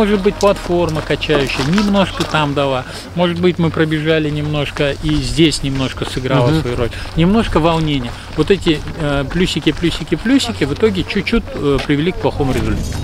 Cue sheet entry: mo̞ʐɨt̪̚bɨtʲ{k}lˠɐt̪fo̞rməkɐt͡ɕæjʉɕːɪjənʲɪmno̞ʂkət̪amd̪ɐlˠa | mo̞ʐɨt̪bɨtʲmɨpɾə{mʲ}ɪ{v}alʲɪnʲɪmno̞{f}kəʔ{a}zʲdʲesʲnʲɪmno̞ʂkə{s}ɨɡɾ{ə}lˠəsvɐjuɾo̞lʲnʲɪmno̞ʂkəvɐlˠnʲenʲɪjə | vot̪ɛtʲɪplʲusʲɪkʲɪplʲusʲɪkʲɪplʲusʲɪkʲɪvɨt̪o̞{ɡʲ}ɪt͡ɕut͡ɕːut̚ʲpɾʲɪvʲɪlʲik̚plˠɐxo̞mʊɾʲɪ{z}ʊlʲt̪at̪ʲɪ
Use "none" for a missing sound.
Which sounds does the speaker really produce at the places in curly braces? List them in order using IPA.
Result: p, bʲ, ʐ, ʂ, i, s, a, ɡʲ, z

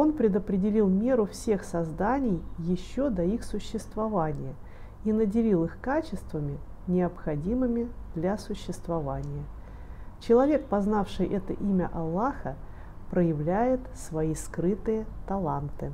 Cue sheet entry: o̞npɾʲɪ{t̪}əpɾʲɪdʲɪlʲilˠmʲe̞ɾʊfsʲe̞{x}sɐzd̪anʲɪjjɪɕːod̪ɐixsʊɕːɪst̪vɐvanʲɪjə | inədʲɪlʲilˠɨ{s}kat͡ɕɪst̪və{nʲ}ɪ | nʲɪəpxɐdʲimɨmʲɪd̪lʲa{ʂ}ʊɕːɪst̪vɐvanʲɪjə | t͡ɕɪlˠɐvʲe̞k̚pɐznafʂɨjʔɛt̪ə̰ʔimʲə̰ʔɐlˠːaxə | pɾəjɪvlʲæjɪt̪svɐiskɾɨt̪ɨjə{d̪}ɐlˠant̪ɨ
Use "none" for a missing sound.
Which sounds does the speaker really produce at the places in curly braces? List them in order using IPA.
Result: d̪, x, x, mʲ, s, t̪

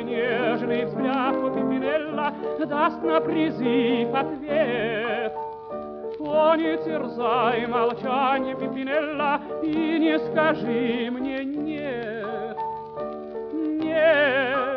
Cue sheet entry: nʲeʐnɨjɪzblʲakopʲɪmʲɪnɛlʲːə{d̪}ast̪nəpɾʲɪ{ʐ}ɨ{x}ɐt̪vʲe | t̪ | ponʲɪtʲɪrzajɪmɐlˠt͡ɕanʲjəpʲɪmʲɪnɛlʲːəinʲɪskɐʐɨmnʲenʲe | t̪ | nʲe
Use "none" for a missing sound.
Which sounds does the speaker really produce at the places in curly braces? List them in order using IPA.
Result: d̪, z, f

